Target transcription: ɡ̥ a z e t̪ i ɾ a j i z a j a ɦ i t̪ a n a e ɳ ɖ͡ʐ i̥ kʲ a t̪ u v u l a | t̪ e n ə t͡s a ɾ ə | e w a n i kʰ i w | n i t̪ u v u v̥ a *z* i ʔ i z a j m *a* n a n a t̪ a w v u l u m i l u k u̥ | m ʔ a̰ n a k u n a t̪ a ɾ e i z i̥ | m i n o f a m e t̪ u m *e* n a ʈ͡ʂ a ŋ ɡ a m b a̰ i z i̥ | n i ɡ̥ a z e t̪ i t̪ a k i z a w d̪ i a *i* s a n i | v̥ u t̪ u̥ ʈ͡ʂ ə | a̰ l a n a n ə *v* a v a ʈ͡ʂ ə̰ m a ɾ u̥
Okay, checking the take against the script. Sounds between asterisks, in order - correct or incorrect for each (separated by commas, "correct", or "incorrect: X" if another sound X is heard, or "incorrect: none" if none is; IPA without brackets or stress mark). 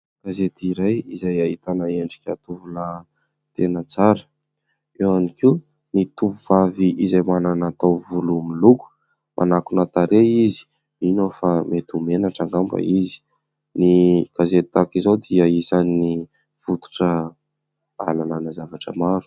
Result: incorrect: v, correct, correct, correct, incorrect: z